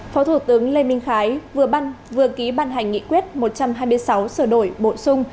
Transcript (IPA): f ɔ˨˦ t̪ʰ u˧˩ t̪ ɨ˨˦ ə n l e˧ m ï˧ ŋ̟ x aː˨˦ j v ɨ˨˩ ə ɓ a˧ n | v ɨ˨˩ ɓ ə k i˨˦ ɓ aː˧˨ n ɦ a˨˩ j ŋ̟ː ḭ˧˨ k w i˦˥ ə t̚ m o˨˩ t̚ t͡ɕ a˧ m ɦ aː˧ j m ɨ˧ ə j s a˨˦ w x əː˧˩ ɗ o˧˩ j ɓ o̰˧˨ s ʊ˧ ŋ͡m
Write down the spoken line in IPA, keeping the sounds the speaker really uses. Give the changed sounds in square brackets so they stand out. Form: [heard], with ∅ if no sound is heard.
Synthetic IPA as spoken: f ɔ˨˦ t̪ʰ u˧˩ t̪ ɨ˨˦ ə [ŋ] l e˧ m ï˧ ŋ̟ x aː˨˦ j v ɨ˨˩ ə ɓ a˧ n | v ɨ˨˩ [∅] ə k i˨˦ ɓ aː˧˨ n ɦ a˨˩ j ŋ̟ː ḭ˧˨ k w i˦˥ ə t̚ m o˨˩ t̚ t͡ɕ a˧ m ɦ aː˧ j m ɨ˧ ə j s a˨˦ w [s] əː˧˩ ɗ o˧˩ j ɓ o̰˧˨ s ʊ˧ ŋ͡m